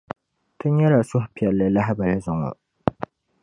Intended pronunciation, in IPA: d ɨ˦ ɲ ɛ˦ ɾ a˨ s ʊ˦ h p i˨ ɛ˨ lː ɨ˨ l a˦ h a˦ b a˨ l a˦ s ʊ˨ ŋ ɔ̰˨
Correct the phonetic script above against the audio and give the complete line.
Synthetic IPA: t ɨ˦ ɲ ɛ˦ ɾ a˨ s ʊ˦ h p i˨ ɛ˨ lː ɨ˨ l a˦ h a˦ b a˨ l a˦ z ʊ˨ ŋ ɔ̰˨